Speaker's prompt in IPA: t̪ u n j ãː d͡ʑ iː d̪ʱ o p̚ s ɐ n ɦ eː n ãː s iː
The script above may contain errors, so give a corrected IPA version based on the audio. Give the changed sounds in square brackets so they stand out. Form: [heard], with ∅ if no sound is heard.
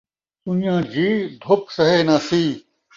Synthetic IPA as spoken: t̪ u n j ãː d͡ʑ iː d̪ʱ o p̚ s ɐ [∅] ɦ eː n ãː s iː